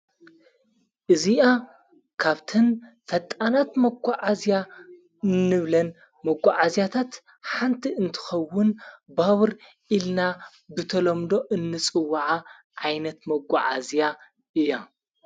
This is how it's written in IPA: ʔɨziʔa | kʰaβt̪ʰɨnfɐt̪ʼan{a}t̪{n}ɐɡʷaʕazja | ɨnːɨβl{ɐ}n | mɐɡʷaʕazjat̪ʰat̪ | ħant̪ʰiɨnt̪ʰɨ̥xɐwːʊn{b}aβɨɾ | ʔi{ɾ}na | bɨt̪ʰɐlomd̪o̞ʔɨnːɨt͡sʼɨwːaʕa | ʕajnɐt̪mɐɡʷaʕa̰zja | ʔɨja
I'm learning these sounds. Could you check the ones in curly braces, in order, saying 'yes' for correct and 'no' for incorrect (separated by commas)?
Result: yes, no, yes, yes, no